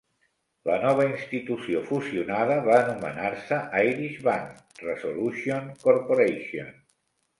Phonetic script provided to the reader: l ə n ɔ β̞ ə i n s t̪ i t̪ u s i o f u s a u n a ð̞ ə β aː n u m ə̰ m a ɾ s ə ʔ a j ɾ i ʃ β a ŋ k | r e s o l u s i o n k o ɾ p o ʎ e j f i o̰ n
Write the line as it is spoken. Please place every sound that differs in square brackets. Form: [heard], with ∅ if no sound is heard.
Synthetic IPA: l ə n ɔ β̞ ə i n s t̪ i t̪ u s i o f u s [i] u n a ð̞ ə β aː n u m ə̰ [n] a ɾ s ə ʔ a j ɾ i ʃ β a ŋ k | r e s o l u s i o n k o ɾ p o [ɾ] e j [ʃ] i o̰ n

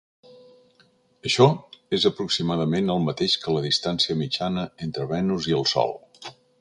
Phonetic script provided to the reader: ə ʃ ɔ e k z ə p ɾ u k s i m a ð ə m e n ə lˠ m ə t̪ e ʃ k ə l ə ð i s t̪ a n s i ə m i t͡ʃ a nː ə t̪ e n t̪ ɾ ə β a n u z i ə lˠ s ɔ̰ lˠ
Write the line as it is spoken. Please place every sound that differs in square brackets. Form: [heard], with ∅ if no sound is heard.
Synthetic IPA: ə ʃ ɔ e [∅] z ə p ɾ u k s i m a ð ə m e n ə lˠ m ə t̪ e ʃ k ə l ə ð i s t̪ a n s i ə m i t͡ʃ a [n] ə [∅] e n t̪ ɾ ə β [ɛ] n u z i ə lˠ s ɔ̰ lˠ

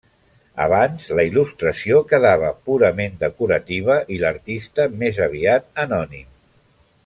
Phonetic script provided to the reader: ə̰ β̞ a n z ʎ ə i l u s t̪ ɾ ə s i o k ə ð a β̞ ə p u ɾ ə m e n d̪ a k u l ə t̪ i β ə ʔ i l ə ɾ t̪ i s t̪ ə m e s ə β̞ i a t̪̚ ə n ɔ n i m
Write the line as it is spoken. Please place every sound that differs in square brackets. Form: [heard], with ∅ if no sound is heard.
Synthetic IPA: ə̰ β̞ a n z [l] ə i l u s t̪ ɾ ə s i o k ə ð a β̞ ə p u ɾ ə m e n d̪ [ə] k u [ɾ] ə t̪ i β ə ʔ i l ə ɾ t̪ i s t̪ ə m e [z] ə β̞ i a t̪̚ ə n ɔ n i m

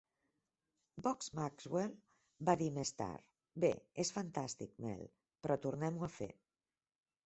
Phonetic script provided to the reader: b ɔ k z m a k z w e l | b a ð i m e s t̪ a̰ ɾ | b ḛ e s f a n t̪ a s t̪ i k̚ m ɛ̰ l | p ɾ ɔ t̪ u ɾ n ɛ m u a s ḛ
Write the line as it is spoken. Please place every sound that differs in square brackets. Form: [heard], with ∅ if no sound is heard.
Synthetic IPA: b ɔ k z m a k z w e l | b a ð i m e s t̪ a̰ ɾ | b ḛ e s f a n t̪ a s t̪ i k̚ m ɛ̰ l | p ɾ ɔ t̪ u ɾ n ɛ m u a [f] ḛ

